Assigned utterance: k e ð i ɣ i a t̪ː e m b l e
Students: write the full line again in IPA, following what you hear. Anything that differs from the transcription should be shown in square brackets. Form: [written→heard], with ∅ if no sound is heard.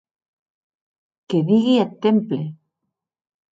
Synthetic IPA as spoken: k e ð i ɣ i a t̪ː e m [b→p] l e